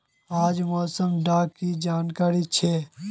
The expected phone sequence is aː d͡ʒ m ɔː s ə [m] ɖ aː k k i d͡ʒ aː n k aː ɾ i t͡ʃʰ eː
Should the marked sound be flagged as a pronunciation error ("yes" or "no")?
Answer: no